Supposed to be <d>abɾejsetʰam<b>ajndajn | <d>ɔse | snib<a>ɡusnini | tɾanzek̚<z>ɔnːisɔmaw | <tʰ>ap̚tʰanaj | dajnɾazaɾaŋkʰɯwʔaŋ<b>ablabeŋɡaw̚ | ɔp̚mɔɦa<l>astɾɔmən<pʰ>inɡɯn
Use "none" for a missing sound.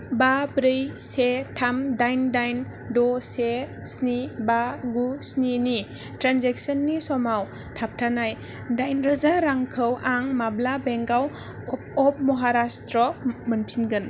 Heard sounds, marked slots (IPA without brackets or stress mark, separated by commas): b, d, d, a, s, tʰ, m, ɾ, pʰ